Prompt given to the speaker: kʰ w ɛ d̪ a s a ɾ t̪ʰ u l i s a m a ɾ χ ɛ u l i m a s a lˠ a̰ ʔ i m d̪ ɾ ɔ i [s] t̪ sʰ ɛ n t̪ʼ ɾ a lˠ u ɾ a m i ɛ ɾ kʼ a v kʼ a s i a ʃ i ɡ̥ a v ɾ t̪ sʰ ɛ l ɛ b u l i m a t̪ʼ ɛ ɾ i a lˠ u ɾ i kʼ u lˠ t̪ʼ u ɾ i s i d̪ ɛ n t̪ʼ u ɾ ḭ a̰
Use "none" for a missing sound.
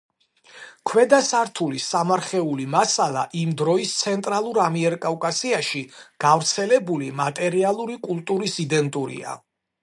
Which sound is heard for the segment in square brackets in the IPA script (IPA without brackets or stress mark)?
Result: s